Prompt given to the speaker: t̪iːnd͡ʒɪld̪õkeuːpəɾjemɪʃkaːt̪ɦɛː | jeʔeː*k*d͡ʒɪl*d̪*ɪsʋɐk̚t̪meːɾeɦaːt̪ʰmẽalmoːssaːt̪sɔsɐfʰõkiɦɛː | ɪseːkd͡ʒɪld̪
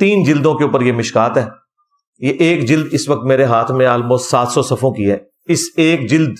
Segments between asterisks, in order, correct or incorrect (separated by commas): correct, correct